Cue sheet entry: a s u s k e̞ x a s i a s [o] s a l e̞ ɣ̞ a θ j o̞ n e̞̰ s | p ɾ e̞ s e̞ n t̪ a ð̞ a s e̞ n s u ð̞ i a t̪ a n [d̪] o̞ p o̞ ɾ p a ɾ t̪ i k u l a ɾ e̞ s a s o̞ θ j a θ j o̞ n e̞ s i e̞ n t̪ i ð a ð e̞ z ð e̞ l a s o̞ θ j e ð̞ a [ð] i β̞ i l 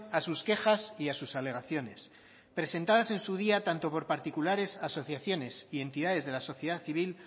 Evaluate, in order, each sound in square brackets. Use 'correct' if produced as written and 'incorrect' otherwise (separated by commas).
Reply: incorrect, incorrect, incorrect